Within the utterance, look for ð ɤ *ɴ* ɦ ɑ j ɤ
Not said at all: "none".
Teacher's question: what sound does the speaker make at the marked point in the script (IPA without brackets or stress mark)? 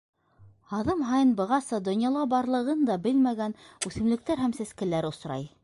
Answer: m